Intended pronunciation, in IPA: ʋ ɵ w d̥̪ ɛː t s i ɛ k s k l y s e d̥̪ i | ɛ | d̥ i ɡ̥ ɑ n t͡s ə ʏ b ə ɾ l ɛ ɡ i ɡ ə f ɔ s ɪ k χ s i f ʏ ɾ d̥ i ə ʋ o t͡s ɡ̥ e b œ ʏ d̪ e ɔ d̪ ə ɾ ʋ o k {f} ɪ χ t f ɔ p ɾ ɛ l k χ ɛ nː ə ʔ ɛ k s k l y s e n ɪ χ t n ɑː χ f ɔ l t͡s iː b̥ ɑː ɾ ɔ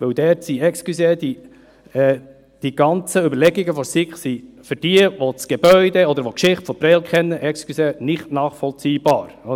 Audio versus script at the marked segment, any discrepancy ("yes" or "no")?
yes